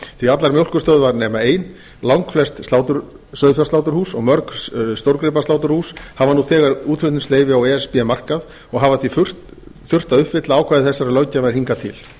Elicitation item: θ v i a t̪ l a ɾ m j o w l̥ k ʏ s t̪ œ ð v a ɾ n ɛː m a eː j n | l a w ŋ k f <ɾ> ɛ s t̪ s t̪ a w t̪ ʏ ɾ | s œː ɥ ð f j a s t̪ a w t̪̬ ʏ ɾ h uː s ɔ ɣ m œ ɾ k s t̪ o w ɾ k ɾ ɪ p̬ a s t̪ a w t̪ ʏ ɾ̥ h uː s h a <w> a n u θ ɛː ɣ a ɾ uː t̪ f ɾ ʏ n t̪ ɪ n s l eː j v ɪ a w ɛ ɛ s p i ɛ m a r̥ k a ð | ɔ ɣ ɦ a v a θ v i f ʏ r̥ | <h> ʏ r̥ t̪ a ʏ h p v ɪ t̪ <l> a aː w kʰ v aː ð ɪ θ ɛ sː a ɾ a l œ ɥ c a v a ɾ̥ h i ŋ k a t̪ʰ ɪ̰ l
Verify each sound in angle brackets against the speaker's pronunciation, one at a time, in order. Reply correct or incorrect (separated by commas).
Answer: incorrect, incorrect, incorrect, correct